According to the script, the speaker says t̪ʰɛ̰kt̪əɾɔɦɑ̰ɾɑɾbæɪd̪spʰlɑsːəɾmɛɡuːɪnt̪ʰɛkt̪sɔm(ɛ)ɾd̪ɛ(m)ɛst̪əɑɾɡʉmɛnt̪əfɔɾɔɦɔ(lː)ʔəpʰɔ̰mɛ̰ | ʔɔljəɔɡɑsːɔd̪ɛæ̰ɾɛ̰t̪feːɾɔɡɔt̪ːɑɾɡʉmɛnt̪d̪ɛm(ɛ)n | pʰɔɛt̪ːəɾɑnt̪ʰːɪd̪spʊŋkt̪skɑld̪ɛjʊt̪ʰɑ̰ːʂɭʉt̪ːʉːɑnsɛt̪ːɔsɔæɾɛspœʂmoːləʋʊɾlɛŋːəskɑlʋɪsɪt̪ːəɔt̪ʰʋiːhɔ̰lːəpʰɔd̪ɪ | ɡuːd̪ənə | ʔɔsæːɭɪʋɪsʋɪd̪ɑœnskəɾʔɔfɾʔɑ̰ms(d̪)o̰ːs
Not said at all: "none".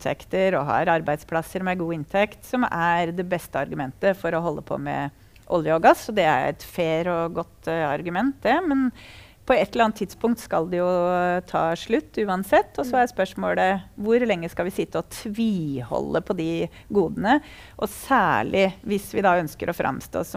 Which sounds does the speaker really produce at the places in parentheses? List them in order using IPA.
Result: æ, b, lː, ɛ, t̪

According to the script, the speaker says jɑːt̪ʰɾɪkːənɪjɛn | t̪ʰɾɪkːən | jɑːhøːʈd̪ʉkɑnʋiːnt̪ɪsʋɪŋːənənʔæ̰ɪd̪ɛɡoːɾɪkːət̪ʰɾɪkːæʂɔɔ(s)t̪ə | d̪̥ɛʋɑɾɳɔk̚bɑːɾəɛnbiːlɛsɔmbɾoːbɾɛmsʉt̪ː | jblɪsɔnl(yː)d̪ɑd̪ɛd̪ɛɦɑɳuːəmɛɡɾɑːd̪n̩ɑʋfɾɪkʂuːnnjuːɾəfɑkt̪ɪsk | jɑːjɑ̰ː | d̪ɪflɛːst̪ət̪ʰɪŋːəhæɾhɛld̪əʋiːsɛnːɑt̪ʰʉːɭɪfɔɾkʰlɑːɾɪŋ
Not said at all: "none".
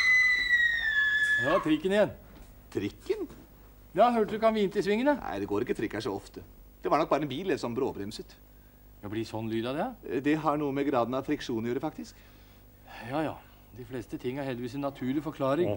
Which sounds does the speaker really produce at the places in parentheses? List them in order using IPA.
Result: f, yː

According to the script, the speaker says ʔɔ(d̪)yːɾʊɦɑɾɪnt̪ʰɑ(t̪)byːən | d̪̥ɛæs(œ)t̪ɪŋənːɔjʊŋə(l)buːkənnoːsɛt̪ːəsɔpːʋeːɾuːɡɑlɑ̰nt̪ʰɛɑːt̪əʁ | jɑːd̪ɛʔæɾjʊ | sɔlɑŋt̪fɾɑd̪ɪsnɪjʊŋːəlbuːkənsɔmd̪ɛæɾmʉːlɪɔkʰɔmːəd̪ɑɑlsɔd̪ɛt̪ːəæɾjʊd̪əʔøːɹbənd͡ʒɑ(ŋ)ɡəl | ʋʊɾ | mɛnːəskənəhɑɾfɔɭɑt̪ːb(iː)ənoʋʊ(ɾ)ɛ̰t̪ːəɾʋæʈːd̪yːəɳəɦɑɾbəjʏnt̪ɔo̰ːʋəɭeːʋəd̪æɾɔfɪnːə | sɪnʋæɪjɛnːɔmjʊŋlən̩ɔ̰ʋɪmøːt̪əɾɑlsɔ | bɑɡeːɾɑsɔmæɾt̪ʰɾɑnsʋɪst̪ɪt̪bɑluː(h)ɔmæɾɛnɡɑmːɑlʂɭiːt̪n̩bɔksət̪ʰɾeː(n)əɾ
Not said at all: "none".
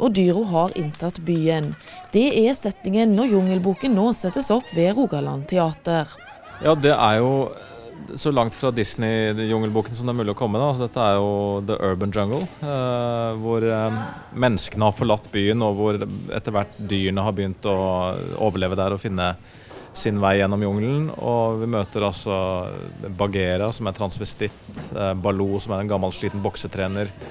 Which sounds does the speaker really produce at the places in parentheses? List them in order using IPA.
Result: d̪, t̪, ɛ, l, ŋ, yː, ɾ, s, n

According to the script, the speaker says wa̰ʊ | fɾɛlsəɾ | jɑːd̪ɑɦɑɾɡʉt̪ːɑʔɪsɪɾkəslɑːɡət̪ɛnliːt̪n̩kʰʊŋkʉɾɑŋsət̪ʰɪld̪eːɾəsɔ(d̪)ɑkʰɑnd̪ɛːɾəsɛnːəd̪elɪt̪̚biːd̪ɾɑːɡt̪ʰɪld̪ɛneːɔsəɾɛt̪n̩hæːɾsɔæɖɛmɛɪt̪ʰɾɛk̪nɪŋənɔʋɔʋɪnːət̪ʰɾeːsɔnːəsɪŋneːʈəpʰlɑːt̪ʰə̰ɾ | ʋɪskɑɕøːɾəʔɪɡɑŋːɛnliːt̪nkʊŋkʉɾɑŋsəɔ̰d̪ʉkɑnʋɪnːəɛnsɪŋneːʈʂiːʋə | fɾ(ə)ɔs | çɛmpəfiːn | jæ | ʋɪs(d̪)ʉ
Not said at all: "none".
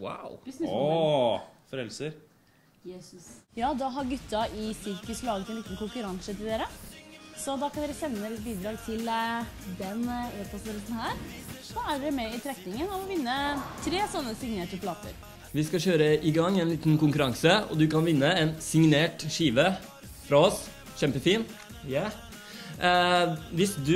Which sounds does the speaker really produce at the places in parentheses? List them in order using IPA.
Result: d̪, ɑ, d̪

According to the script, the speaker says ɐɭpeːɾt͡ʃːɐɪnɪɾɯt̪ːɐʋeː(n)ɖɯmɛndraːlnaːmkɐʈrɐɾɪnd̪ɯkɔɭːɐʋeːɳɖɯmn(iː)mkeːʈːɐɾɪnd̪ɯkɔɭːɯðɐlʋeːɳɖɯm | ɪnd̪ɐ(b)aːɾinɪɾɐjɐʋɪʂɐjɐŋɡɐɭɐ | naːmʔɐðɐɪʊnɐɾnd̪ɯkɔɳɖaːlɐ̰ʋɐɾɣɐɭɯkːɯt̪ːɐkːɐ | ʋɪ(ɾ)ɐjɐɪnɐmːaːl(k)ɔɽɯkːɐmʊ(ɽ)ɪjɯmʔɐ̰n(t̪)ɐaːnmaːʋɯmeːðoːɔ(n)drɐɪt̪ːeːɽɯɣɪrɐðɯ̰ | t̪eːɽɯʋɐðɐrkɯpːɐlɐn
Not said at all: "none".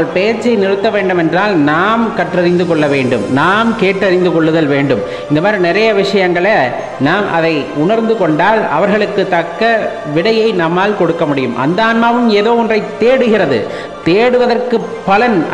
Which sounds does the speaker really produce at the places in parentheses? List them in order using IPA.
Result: ɳ, aː, m, ɽ, k, ɽ, d̪, n

